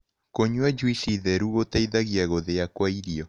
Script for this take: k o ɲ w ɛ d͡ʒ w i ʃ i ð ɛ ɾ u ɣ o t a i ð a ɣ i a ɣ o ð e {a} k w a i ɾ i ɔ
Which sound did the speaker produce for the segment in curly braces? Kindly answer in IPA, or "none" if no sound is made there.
a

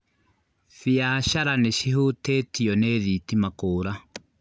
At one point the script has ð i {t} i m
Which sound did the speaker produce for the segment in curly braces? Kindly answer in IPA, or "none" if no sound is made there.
t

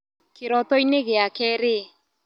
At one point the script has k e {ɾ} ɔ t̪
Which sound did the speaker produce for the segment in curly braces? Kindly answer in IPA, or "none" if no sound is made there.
ɾ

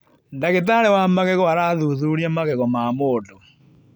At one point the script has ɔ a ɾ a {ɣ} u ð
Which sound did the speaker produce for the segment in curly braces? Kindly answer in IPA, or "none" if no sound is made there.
ð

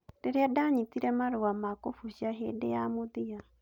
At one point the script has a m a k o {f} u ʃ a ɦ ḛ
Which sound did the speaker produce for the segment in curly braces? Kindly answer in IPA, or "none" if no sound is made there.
f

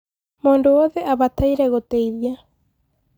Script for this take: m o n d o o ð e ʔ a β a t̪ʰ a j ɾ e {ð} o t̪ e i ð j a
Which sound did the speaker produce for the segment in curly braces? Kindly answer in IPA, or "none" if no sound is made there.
ɣ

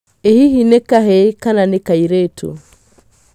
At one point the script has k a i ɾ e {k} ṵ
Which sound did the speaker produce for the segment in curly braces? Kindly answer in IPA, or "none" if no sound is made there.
t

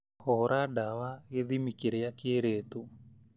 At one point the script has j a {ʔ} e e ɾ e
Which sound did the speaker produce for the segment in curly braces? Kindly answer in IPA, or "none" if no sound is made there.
k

